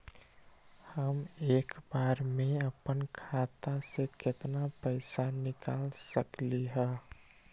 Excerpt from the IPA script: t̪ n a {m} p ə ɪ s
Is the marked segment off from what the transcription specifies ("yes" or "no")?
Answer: yes